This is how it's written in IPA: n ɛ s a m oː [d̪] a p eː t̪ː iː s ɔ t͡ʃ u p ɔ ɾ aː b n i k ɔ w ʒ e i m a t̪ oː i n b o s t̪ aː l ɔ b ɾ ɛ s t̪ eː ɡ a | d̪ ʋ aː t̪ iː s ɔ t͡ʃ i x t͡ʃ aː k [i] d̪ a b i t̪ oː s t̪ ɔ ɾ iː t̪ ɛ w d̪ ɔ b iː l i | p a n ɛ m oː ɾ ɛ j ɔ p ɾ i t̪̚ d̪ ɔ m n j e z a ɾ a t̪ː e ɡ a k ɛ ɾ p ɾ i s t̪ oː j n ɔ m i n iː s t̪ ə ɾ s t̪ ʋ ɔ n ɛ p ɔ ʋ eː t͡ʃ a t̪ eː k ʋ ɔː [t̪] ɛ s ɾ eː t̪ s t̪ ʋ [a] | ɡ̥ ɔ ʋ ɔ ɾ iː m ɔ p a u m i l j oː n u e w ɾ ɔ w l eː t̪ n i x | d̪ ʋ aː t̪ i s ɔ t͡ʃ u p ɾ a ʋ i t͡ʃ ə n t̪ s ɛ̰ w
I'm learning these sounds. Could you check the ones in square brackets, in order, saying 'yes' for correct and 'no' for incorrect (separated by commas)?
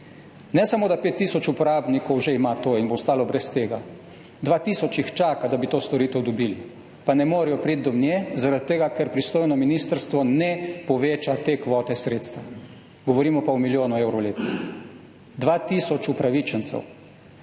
yes, no, yes, yes